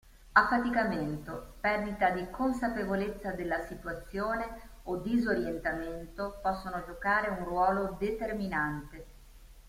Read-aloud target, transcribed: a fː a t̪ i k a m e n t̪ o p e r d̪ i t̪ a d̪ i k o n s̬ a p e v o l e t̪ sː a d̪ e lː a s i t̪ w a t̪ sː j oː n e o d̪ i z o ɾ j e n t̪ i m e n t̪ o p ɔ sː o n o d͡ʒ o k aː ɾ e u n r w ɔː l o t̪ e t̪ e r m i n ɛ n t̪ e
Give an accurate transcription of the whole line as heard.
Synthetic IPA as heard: a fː a t̪ i k a m e n t̪ o p ɛ r d̪ i t̪ a d̪ i k o n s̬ a p e v o l e t̪ sː a d̪ e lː a s i t̪ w a t̪ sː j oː n e o d̪ i z o ɾ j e n t̪ a m e n t̪ o p ɔ sː o n o d͡ʒ o k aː ɾ e u n r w ɔː l o d̪ e t̪ e r m i n a n t̪ e